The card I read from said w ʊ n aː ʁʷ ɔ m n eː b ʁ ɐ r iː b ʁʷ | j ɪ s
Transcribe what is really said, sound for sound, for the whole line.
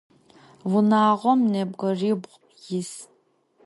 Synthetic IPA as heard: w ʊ n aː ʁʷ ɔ m n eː b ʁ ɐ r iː b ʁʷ | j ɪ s